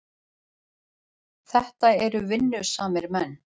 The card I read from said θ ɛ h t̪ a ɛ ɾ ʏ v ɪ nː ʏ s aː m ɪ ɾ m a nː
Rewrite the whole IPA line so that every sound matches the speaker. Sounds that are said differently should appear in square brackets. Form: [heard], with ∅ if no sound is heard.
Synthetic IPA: θ ɛ h t̪ a ɛ ɾ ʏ v ɪ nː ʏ s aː m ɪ ɾ m [ɛ] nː